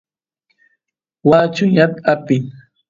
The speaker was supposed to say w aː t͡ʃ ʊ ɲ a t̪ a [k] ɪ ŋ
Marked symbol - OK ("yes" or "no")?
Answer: no